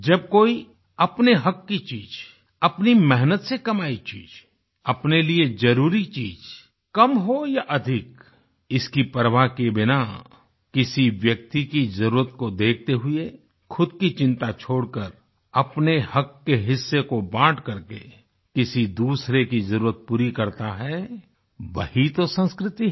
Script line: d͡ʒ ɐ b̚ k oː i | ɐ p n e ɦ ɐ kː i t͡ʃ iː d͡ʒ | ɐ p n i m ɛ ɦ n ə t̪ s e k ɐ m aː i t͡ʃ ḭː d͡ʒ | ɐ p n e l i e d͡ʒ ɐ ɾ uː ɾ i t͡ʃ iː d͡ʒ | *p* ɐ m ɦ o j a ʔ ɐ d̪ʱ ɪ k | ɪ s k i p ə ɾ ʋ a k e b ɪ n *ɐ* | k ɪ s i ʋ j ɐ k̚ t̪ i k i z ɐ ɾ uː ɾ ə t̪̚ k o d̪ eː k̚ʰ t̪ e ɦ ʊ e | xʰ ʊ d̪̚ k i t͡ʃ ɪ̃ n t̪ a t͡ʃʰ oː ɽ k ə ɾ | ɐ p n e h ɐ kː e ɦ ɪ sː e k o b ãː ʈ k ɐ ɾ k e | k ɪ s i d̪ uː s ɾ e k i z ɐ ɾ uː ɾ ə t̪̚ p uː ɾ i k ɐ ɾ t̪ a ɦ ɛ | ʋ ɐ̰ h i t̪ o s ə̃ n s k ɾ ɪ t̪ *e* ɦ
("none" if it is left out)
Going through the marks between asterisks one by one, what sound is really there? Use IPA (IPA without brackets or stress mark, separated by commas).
k, a, i